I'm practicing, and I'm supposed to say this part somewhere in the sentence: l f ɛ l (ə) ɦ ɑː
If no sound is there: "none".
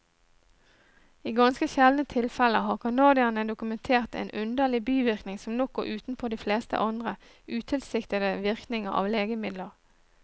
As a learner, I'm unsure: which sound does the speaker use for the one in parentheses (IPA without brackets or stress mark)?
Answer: ə